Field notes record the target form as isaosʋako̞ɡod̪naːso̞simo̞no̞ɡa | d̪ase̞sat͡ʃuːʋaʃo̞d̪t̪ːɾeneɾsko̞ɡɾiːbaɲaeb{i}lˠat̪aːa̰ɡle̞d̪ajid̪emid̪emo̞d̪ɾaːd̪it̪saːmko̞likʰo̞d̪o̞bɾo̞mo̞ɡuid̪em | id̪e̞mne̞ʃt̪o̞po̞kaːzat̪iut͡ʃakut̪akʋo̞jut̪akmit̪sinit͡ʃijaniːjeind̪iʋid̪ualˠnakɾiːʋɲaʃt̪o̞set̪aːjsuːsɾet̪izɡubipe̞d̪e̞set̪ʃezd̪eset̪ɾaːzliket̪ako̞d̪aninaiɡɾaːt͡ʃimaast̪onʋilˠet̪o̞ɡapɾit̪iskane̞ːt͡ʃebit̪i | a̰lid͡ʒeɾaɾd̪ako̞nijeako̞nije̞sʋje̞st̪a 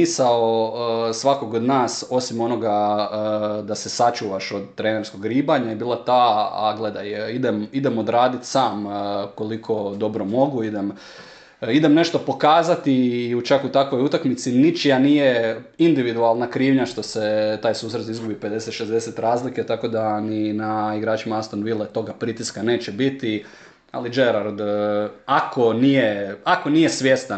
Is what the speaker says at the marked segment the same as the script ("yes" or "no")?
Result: no